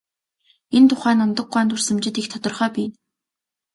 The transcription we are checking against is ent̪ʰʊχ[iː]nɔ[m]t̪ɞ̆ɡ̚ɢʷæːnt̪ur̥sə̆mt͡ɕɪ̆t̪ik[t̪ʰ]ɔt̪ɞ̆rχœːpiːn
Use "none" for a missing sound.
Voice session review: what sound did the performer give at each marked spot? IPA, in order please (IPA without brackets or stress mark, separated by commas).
æː, n, t̪ʰ